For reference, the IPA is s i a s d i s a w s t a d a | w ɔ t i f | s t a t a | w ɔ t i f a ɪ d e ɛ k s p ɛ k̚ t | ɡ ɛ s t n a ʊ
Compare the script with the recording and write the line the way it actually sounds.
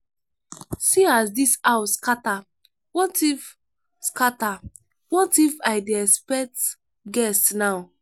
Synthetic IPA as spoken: s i a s d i s a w s k a t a | w ɔ t i f | s k a t a | w ɔ t i f a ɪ d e ɛ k s p ɛ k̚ t | ɡ ɛ s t n a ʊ